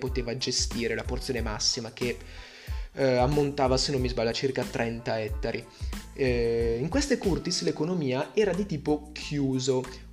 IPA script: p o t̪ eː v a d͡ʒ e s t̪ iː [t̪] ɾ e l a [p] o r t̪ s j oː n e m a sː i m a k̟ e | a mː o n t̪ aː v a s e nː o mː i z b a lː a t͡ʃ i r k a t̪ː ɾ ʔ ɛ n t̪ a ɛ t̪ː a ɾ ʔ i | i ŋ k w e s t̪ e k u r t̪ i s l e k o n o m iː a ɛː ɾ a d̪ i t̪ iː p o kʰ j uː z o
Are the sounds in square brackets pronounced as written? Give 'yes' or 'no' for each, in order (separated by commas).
no, yes